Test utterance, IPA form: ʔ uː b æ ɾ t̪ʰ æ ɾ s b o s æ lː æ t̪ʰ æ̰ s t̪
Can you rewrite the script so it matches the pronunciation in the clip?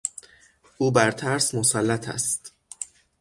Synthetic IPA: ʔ uː b æ ɾ t̪ʰ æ ɾ s m o s æ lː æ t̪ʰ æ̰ s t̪